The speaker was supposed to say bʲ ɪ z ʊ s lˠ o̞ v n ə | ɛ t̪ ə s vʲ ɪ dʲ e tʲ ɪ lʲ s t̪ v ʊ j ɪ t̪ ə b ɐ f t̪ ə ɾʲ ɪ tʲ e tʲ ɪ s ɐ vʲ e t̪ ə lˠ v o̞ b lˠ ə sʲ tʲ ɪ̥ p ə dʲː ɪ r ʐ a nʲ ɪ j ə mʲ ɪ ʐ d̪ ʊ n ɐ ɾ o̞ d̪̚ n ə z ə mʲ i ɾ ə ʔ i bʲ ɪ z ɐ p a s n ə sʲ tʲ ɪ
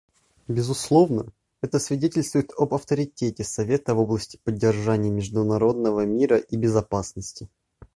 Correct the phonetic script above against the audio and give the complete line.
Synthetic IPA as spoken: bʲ ɪ z ʊ s lˠ o̞ v n ə | ɛ t̪ ə s vʲ ɪ dʲ e tʲ ɪ lʲ s t̪ v ʊ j ɪ t̪ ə b ɐ f t̪ ə ɾʲ ɪ tʲ e tʲ ɪ s ɐ vʲ e t̪ ə v o̞ b lˠ ə sʲ tʲ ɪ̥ p ə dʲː ɪ r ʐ a nʲ ɪ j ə mʲ ɪ ʐ d̪ ʊ n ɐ ɾ o̞ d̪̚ n ə v ə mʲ i ɾ ə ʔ i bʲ ɪ z ɐ p a s n ə sʲ tʲ ɪ